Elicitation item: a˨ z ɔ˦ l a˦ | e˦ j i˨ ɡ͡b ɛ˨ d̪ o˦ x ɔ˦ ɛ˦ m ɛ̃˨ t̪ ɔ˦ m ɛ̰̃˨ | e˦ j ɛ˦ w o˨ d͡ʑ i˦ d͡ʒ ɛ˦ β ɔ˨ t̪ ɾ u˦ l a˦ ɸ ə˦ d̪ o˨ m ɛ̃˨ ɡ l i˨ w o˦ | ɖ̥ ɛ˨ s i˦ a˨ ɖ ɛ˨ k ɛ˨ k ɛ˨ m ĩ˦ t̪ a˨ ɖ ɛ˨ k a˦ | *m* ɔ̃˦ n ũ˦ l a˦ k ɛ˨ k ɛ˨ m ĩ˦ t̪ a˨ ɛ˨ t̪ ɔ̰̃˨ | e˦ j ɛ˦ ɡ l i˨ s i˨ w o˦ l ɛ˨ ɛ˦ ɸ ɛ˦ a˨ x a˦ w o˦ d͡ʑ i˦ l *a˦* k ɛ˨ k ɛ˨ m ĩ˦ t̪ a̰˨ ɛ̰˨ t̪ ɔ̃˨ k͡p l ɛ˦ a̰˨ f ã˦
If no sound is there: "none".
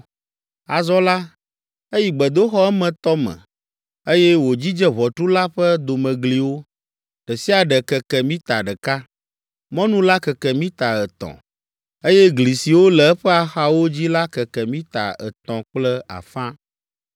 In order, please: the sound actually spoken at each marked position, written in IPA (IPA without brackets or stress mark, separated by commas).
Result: m, a˦